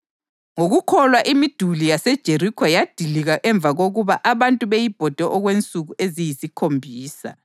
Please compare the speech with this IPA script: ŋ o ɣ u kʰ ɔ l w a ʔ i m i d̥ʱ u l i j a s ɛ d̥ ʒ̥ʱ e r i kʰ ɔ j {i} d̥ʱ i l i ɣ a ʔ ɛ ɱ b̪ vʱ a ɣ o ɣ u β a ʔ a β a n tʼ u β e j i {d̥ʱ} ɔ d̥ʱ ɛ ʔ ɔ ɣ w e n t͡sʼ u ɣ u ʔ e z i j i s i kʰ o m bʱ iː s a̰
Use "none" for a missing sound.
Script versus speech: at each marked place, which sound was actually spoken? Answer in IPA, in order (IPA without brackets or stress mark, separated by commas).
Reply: a, b̥ʱ